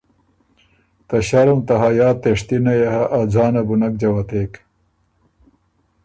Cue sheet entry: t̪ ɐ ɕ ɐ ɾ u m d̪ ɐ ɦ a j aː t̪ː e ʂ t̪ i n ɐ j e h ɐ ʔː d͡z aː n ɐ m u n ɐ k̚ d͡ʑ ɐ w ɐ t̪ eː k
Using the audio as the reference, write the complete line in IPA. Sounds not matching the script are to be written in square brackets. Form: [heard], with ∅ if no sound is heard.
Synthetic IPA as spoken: t̪ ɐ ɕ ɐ ɾ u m [t̪] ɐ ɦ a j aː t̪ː e ʂ t̪ i n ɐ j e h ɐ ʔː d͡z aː n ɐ [b] u n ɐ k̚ d͡ʑ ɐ w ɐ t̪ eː k

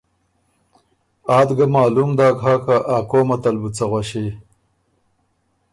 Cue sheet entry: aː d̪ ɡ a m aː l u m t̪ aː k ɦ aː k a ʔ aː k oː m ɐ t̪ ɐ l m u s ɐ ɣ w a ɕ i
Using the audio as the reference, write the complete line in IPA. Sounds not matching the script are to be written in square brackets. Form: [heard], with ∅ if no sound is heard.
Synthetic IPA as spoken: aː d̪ ɡ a m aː l u m [d̪] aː k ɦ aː k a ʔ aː k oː m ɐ t̪ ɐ l [b] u [t͡s] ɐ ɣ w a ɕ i

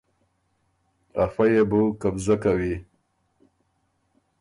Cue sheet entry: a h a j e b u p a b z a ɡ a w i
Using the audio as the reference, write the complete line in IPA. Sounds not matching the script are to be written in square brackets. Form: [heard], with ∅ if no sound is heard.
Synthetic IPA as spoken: a [f] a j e b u [k] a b z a [k] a w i

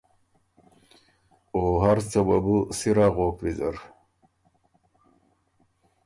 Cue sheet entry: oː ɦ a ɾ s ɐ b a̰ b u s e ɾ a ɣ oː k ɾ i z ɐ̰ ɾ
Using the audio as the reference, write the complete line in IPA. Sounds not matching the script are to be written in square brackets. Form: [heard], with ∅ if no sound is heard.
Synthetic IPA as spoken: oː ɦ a ɾ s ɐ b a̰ b u s [i] ɾ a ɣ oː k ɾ i z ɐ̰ ɾ

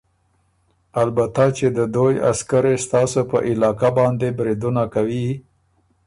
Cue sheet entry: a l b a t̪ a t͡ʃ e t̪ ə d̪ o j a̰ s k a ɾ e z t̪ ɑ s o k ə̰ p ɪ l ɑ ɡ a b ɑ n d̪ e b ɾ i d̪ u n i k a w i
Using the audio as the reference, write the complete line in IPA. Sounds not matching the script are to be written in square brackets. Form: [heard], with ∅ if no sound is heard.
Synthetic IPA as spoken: a l b a t̪ a t͡ʃ e [d̪] ə d̪ o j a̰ s k a ɾ e [s] t̪ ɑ s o [p] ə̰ [ʔ] ɪ l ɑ [k] a b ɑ n d̪ e b ɾ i d̪ u n [a] k a w i

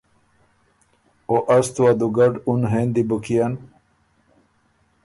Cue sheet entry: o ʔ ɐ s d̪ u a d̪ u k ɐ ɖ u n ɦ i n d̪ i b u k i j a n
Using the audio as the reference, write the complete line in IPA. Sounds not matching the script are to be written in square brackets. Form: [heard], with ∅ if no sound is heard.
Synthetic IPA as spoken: o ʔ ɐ s [t̪] u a d̪ u [ɡ] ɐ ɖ u n ɦ [e] n d̪ i b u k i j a n

